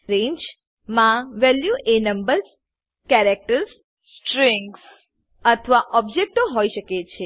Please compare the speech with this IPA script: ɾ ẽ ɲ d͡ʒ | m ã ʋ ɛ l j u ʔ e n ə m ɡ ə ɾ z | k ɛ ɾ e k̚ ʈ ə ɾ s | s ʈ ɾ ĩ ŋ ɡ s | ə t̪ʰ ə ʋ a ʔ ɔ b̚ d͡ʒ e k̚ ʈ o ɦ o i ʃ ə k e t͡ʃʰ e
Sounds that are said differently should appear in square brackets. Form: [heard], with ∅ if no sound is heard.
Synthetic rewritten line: ɾ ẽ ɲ d͡ʒ | m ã ʋ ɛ l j u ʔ e n ə m [b] ə ɾ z | k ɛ ɾ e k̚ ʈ ə ɾ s | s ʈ ɾ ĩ ŋ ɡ s | ə t̪ʰ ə ʋ a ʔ ɔ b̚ d͡ʒ e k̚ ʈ o ɦ o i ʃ ə k e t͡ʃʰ e

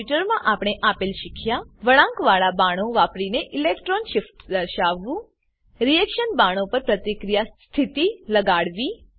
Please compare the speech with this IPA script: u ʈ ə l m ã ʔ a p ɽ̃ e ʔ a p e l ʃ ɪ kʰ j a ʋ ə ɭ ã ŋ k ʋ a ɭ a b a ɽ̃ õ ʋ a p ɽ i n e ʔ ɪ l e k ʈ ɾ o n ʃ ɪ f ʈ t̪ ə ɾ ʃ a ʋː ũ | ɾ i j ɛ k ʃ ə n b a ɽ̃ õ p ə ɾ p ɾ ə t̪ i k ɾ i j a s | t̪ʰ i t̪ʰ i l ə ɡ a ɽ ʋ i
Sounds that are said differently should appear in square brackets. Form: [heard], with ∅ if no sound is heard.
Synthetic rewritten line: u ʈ ə [ɾ] m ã ʔ a p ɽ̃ e ʔ a p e l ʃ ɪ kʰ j a ʋ ə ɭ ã ŋ k ʋ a ɭ a b a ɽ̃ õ ʋ a p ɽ i n e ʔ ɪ l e k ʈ ɾ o n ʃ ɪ f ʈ [d̪] ə ɾ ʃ a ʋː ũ | ɾ i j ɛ k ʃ ə n b a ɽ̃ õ p ə ɾ p ɾ ə t̪ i k ɾ i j a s | t̪ʰ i [t̪] i l ə ɡ a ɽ ʋ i

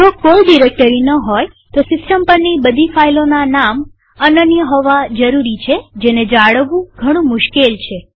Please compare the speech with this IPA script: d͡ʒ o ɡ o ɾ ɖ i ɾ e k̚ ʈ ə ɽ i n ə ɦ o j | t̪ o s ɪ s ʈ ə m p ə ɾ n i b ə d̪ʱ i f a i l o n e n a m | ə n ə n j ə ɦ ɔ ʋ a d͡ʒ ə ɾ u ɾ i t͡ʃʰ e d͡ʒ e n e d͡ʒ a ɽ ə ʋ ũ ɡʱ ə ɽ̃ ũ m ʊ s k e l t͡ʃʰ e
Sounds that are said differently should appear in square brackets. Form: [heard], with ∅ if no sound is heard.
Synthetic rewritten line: d͡ʒ o [k] o [l] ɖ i ɾ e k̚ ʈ ə [ɾ] i n ə ɦ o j | t̪ o s ɪ s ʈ ə m p ə ɾ n i b ə d̪ʱ i f a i l o n [a] n a m | ə n ə n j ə ɦ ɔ ʋ a d͡ʒ ə ɾ u ɾ i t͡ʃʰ e d͡ʒ e n e d͡ʒ a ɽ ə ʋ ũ ɡʱ ə ɽ̃ ũ m ʊ [ʃ] k e l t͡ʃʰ e

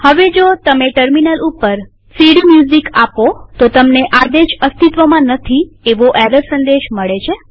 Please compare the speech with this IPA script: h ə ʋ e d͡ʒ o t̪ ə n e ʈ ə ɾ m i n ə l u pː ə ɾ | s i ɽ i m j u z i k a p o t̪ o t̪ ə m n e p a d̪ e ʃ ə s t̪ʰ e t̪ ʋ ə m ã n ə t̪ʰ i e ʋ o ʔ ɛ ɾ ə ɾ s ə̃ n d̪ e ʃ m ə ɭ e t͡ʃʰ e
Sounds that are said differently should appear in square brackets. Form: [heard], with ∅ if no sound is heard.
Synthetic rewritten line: h ə ʋ e d͡ʒ o t̪ ə [m] e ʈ ə ɾ m i n ə l u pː ə ɾ | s i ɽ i m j u z i k a p o t̪ o t̪ ə m n e [ʔ] a d̪ e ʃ ə s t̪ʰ [i] t̪ ʋ ə m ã n ə t̪ʰ i e ʋ o ʔ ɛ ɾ ə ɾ s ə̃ n d̪ e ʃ m ə ɭ e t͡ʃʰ e

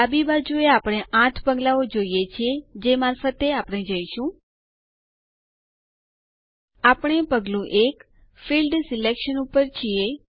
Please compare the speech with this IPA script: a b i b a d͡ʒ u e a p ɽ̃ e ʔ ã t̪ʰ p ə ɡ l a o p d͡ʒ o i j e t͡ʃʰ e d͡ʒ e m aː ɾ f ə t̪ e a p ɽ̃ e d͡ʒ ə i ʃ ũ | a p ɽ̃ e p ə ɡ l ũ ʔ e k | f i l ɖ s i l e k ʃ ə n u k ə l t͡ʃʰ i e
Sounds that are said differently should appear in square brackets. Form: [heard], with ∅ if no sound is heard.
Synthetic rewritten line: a b i b a d͡ʒ u e a p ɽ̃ e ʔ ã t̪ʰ p ə ɡ l a o [∅] d͡ʒ o i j e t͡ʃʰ e d͡ʒ e m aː ɾ f ə t̪ e a p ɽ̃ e d͡ʒ ə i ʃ ũ | a p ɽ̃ e p ə ɡ l ũ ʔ e k | f i l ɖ s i l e k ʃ ə n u [p] ə [ɾ] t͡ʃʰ i e

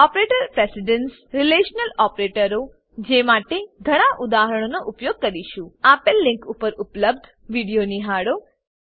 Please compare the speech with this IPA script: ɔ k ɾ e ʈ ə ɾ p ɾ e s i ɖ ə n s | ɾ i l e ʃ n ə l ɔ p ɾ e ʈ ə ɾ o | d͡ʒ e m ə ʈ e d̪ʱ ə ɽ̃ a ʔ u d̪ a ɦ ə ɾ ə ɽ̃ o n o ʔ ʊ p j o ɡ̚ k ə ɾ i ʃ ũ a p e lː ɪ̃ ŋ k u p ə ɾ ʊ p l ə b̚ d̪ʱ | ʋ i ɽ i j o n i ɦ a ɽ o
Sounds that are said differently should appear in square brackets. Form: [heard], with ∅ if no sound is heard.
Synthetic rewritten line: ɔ [p] ɾ e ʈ ə ɾ p ɾ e s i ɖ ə n s | ɾ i l e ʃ n ə l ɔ p ɾ e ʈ ə ɾ o | d͡ʒ e m [a] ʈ e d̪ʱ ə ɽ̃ a ʔ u d̪ a ɦ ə ɾ ə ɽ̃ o n o ʔ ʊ p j o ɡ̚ k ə ɾ i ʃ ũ a p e lː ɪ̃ ŋ k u p ə ɾ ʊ p l ə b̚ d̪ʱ | ʋ i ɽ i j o n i ɦ a ɽ o

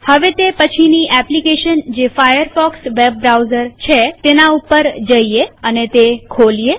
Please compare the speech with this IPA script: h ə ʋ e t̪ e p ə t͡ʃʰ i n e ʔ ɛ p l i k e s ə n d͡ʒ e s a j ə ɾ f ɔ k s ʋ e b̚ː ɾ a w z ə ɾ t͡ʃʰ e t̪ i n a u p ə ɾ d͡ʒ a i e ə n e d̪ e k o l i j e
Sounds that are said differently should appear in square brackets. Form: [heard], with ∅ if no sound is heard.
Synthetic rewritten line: h ə ʋ e t̪ e p ə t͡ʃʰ i n [i] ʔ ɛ p l i k e [ʃ] ə n d͡ʒ e [f] a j ə ɾ f ɔ k s ʋ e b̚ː ɾ a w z ə ɾ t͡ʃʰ e t̪ [e] n a u p ə ɾ d͡ʒ [ə] i e ə n e [t̪] e [kʰ] o l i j e

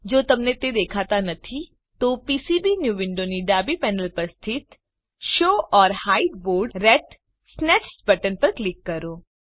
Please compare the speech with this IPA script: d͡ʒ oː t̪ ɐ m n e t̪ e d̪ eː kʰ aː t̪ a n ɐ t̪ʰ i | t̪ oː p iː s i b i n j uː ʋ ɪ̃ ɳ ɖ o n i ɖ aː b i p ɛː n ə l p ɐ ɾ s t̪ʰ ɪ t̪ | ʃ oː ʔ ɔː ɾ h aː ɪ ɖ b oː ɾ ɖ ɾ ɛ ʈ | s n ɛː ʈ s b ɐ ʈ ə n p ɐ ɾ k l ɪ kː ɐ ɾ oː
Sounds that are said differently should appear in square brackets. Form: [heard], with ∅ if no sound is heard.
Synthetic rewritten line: d͡ʒ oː t̪ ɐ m n e t̪ e d̪ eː kʰ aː t̪ a n ɐ t̪ʰ i | t̪ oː p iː s i b i n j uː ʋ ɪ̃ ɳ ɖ o n i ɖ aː b i p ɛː n ə l p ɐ ɾ s t̪ʰ ɪ t̪ | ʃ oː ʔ ɔː ɾ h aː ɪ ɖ b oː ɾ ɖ ɾ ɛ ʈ | s n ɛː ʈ s b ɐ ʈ ə n p ɐ ɾ k l ɪ kː ɐ ɾ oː

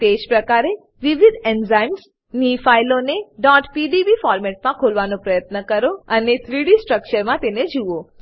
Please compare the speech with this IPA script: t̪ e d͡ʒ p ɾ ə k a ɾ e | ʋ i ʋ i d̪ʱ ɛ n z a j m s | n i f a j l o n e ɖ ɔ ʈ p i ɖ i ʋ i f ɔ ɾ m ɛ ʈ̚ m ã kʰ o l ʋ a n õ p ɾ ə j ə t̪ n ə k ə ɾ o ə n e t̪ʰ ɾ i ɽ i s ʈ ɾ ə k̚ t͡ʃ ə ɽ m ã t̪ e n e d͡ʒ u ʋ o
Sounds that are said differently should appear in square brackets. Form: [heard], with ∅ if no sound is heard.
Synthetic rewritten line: t̪ e d͡ʒ p ɾ ə k a ɾ e | ʋ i ʋ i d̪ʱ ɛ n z a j m s | n i f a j l o n e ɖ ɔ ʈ p i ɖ i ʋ i f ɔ ɾ m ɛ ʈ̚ m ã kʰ o l ʋ a n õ p ɾ ə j ə t̪ n ə k ə ɾ o ə n e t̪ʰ ɾ i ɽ i s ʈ ɾ ə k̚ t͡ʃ ə [ɾ] m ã t̪ e n e d͡ʒ u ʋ o

